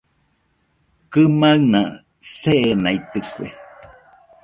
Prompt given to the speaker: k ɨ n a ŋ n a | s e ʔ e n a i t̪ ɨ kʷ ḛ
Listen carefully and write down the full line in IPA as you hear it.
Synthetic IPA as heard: k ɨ m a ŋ n a | s e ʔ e n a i t̪ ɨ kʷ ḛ